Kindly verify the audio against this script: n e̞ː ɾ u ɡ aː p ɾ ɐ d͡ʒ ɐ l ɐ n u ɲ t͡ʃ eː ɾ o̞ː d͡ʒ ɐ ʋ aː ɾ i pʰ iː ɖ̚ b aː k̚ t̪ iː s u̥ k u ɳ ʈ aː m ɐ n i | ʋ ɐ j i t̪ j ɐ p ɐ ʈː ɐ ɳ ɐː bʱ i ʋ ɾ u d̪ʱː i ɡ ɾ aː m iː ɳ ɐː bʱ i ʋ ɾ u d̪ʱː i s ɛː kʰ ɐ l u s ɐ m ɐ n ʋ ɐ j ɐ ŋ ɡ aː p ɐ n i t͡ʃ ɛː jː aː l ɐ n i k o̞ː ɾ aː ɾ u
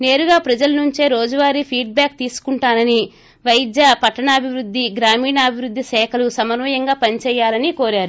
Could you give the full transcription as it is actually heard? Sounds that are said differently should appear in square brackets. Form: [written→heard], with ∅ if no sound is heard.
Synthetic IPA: n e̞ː ɾ u ɡ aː p ɾ ɐ d͡ʒ ɐ l ɐ n u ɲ t͡ʃ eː ɾ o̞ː d͡ʒ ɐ ʋ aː ɾ i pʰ iː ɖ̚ b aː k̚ t̪ iː s u̥ k u ɳ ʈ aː [m→n] ɐ n i | ʋ ɐ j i [t̪→d̪] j ɐ p ɐ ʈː ɐ ɳ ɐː bʱ i ʋ ɾ u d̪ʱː i ɡ ɾ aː m iː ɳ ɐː bʱ i ʋ ɾ u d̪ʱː i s ɛː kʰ ɐ l u s ɐ m ɐ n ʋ ɐ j ɐ ŋ ɡ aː p ɐ n i t͡ʃ ɛː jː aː l ɐ n i k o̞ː ɾ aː ɾ u

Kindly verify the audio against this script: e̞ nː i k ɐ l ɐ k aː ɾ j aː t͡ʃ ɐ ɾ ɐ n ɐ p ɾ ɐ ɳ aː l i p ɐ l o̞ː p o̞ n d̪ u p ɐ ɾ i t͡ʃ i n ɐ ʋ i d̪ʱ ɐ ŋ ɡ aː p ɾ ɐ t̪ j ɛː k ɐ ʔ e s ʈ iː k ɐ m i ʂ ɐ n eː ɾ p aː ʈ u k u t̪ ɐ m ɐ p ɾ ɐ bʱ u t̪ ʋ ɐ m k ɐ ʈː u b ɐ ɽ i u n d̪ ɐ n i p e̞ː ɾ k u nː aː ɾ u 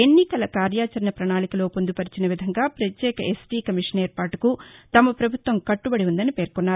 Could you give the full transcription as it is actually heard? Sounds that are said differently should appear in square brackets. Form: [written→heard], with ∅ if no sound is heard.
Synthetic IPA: e̞ nː i k ɐ l ɐ k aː ɾ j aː t͡ʃ ɐ ɾ ɐ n ɐ p ɾ ɐ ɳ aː l i [p→k] ɐ l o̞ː p o̞ n d̪ u p ɐ ɾ i t͡ʃ i n ɐ ʋ i d̪ʱ ɐ ŋ ɡ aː p ɾ ɐ t̪ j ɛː k ɐ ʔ e s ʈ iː k ɐ m i ʂ ɐ n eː ɾ p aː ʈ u k u t̪ ɐ m ɐ p ɾ ɐ bʱ u t̪ ʋ ɐ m k ɐ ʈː u b ɐ ɽ i u n d̪ ɐ n i p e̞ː ɾ k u nː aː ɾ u

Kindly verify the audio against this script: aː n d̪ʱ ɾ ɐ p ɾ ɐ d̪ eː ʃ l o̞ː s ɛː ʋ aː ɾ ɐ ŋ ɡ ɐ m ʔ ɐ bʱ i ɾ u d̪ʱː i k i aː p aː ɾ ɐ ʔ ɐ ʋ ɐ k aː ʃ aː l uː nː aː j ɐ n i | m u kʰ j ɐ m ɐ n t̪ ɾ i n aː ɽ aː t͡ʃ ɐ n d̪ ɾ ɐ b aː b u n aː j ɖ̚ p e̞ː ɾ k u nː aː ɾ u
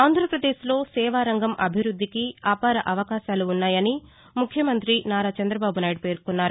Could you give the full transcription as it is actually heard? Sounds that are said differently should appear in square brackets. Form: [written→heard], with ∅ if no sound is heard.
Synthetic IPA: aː n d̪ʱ ɾ ɐ p ɾ ɐ d̪ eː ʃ l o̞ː s ɛː ʋ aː ɾ ɐ ŋ ɡ ɐ m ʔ ɐ bʱ i ɾ u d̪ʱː i k i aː p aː ɾ ɐ ʔ ɐ ʋ ɐ k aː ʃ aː l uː nː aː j ɐ n i | m u kʰ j ɐ m ɐ n t̪ ɾ i n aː [ɽ→ɾ] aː t͡ʃ ɐ n d̪ ɾ ɐ b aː b u n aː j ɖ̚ p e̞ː ɾ k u nː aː ɾ u

